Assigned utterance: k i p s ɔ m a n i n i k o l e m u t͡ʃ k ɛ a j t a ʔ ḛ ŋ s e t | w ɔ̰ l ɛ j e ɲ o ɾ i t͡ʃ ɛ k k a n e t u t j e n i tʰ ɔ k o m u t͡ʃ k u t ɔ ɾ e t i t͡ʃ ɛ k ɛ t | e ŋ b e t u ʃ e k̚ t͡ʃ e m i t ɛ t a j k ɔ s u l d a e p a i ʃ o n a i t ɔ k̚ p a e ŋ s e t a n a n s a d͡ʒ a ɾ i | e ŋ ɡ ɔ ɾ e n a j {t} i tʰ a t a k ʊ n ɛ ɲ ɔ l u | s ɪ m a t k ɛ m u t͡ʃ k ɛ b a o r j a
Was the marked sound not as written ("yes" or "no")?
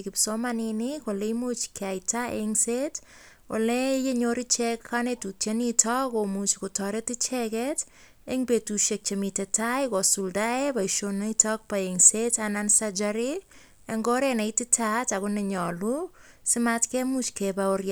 no